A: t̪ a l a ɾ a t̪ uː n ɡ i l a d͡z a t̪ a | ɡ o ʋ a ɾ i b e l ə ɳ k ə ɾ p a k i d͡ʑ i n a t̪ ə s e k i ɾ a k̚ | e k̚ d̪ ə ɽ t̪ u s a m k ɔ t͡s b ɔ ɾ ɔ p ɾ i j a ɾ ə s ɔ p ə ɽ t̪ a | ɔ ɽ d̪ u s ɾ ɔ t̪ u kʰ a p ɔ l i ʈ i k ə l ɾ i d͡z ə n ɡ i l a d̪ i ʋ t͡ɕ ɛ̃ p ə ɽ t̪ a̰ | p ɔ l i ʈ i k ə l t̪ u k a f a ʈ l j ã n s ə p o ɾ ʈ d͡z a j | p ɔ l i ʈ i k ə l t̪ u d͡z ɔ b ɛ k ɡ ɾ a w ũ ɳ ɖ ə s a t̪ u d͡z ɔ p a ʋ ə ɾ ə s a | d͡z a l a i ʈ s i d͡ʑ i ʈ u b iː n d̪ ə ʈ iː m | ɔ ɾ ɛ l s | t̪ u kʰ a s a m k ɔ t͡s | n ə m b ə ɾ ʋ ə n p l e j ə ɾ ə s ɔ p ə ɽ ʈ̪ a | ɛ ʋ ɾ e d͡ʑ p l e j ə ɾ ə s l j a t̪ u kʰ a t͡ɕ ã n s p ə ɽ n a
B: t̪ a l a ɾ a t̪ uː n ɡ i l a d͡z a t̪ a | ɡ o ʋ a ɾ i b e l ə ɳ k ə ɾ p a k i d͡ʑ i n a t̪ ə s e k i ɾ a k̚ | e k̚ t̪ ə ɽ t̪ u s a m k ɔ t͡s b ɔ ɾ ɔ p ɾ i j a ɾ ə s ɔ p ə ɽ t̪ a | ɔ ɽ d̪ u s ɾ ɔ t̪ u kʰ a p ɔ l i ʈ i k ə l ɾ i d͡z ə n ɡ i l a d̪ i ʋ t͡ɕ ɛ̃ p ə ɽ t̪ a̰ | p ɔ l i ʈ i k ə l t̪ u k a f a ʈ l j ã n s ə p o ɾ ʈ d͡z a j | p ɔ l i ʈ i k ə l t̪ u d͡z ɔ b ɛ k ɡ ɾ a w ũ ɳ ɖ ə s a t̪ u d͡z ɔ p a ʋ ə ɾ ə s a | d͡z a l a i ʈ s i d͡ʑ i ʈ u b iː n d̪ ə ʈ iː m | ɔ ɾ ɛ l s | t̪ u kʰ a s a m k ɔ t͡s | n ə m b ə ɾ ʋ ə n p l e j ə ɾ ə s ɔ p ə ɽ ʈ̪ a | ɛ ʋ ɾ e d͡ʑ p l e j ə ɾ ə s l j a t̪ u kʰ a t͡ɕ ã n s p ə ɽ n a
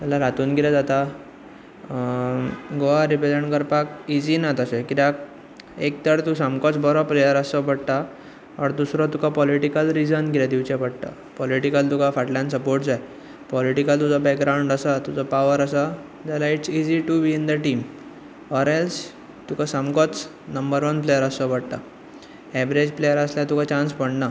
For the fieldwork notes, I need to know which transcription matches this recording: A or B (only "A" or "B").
B